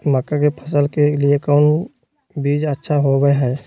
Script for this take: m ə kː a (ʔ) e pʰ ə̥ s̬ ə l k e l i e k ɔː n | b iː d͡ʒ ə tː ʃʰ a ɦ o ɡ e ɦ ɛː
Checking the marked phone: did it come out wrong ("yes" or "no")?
yes